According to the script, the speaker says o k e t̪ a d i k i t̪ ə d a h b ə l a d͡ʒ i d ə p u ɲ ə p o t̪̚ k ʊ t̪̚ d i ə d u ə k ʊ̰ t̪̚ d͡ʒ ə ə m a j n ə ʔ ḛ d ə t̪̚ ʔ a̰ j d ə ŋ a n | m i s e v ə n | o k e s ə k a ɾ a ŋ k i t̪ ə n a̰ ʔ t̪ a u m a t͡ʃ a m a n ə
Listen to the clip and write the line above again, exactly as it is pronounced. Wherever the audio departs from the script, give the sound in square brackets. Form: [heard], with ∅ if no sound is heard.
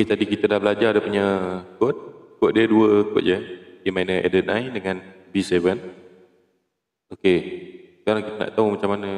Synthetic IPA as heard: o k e t̪ a d i k i t̪ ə d a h b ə l a d͡ʒ [a] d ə p u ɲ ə [k] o t̪̚ k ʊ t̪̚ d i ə d u ə k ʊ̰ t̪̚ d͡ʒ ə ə m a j n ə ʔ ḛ d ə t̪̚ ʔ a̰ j d ə ŋ a n | [b] i s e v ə n | o k e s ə k a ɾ a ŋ k i t̪ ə n a̰ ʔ t̪ a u m a t͡ʃ a m a n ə